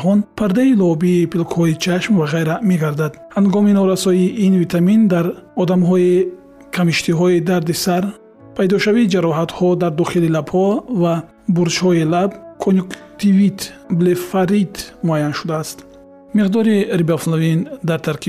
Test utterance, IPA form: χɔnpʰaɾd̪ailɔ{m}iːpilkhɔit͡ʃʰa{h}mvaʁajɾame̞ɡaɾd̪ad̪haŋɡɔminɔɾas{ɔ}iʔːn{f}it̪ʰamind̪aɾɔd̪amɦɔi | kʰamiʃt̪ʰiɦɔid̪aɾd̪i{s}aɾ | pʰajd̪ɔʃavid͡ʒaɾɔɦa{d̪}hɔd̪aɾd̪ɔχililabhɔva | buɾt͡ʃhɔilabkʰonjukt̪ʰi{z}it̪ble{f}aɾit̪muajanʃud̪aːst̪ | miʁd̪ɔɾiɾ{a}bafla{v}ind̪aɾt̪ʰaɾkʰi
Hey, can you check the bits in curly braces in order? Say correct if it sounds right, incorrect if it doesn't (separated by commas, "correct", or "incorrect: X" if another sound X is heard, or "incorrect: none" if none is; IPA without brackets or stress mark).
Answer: incorrect: b, incorrect: ʃ, correct, incorrect: v, correct, incorrect: t̪, incorrect: v, correct, incorrect: i, correct